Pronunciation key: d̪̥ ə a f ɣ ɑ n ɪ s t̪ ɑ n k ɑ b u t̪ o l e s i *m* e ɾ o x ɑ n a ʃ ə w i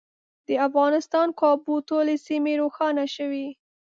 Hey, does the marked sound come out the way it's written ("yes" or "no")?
yes